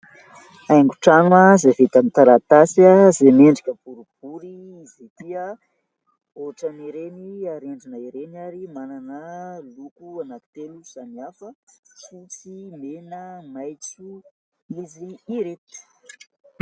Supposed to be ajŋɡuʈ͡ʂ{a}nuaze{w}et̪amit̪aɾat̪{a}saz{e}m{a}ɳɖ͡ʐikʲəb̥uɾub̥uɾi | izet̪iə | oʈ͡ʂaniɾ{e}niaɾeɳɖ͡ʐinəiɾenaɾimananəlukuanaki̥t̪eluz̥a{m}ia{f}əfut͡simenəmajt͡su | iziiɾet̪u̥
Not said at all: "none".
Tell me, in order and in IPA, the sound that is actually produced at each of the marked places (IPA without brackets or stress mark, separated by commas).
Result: a, v, a, e, e, e, n, f